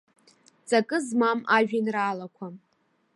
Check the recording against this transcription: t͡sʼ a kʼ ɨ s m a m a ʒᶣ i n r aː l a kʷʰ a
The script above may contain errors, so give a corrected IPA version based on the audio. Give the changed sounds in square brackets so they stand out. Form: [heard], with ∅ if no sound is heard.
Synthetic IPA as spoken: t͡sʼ a kʼ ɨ [z] m a m a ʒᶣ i n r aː l a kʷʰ a